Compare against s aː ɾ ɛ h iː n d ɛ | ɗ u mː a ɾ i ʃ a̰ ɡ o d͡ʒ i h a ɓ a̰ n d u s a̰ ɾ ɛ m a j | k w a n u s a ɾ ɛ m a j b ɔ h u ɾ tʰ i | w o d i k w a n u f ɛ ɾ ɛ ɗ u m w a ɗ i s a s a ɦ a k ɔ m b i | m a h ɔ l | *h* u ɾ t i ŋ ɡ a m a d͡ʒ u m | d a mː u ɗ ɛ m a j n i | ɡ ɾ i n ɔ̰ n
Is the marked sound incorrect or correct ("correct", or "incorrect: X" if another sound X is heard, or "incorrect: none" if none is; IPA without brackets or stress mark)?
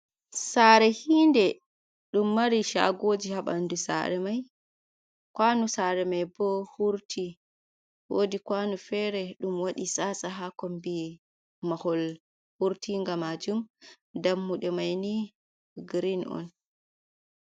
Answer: correct